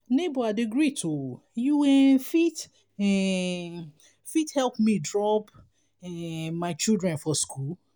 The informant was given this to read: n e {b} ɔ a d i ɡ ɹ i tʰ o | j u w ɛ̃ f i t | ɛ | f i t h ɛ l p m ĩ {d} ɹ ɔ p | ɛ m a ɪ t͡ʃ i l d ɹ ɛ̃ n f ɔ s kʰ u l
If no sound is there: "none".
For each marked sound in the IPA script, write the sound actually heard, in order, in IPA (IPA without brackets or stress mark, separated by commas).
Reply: b, d